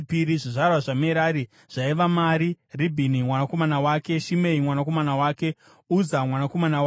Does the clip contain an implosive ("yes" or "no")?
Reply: no